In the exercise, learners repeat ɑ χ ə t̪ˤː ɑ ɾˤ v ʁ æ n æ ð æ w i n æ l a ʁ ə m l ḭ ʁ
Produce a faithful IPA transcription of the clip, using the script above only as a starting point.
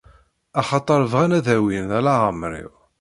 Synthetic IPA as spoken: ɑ χ ɑ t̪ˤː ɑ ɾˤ v ʁ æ n æ ð æ w i n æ l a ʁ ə m ɾ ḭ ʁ